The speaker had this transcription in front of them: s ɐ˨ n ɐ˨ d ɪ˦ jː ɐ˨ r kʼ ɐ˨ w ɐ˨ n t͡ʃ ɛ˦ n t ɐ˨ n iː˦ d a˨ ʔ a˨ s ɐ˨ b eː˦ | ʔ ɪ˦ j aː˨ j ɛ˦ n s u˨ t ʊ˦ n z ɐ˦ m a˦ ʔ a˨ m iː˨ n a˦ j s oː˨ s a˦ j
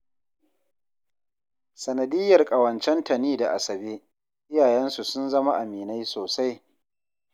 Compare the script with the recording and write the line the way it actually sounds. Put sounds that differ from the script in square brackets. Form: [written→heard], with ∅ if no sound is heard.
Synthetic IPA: s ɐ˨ n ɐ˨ d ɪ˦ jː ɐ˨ r kʼ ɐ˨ w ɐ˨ n t͡ʃ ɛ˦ n t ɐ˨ n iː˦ d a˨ ʔ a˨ s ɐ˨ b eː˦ | ʔ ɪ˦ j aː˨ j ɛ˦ n s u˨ [t→s] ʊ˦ n z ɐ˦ m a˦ ʔ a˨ m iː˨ n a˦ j s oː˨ s a˦ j